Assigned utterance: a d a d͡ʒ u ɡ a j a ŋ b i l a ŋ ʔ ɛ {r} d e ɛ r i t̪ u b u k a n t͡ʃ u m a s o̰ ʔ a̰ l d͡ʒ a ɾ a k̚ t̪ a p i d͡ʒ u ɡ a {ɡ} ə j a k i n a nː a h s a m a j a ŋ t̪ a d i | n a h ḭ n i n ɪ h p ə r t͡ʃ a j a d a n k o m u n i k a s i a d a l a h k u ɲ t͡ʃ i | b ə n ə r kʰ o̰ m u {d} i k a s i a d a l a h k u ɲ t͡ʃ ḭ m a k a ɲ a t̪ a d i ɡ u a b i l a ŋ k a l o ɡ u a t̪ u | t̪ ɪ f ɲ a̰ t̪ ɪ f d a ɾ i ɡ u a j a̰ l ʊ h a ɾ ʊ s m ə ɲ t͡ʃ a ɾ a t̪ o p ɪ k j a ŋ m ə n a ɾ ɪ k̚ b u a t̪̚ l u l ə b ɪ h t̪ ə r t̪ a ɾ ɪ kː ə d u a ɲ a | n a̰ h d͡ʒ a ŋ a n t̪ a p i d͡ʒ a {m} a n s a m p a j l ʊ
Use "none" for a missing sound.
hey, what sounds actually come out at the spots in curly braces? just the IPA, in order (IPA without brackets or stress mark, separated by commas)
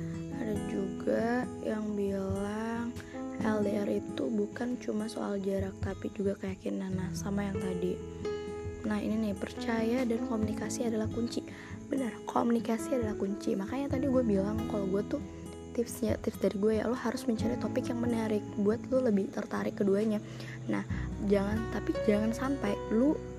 l, k, n, ŋ